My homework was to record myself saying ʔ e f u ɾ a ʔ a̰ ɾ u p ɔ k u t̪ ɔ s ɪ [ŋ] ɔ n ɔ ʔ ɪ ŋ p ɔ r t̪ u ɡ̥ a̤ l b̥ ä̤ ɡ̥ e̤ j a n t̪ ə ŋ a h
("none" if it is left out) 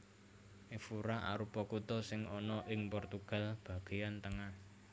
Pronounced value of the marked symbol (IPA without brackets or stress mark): ŋ